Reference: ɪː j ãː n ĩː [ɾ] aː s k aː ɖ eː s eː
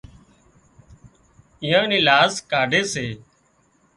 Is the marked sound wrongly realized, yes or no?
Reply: yes